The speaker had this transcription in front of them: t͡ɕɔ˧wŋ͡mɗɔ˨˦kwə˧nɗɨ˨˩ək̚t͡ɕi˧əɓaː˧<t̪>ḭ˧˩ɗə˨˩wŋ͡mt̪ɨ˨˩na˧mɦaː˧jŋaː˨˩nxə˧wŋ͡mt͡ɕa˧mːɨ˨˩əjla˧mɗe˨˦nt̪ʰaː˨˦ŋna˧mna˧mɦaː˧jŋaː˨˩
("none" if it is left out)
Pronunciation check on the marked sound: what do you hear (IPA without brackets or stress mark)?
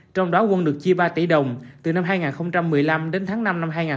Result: t̪